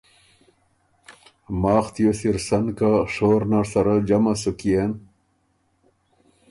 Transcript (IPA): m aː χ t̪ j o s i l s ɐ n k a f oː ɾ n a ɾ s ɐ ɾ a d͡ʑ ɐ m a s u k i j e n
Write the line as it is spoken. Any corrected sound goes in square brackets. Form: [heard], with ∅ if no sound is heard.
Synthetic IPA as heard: m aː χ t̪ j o s i [ɾ] s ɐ n k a [ʂ] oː ɾ n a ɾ s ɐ ɾ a d͡ʑ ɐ m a s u k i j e n